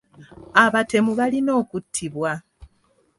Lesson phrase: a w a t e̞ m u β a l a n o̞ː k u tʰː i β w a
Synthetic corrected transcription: a β a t e̞ m u β a l i n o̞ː k u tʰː i β w a

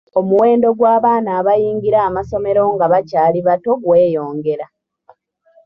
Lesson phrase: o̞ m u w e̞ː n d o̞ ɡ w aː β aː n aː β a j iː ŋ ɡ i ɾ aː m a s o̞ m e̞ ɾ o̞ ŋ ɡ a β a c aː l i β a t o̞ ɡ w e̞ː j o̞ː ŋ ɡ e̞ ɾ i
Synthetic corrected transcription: o̞ m u w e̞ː n d o̞ ɡ w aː β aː n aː β a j iː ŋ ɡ i ɾ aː m a s o̞ m e̞ ɾ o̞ ŋ ɡ a β a c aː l i β a t o̞ ɡ w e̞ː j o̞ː ŋ ɡ e̞ ɾ a

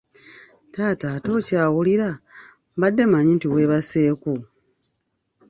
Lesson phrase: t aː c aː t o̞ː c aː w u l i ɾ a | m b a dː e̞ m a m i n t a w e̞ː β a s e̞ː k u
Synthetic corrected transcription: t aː t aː t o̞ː c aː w u l i ɾ a | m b a dː e̞ m a ɲ i n t i w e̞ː β a s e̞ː k u

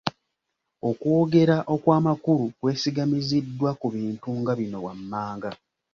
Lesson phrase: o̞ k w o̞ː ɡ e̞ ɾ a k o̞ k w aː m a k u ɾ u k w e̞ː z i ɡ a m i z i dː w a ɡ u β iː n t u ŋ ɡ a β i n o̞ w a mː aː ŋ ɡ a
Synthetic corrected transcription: o̞ k w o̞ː ɡ e̞ ɾ a ʔ o̞ k w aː m a k u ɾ u k w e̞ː s i ɡ a m i z i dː w a k u β iː n t u ŋ ɡ a β i n o̞ w a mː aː ŋ ɡ a

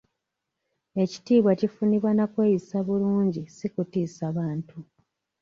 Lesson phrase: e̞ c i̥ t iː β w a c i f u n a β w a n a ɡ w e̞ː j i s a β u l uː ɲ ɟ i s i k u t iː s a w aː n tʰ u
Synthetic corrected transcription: e̞ c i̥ t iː β w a c i f u n i β w a n a k w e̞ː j i s a β u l uː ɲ ɟ i s i k u t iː s a β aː n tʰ u

